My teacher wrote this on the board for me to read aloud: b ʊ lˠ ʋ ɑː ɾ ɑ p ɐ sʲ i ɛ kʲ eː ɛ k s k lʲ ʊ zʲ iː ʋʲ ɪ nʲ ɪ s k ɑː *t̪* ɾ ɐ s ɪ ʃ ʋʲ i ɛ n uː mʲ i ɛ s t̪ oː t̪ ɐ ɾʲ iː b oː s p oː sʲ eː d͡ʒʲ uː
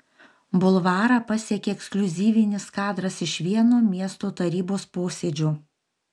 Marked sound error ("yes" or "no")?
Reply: yes